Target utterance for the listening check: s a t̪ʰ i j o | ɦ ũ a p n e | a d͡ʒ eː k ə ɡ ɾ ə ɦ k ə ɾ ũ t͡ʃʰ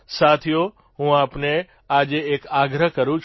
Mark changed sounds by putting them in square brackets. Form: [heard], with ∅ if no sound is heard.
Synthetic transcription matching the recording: s a t̪ʰ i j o | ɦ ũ a p n e | a d͡ʒ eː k [a] ɡ ɾ ə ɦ k ə ɾ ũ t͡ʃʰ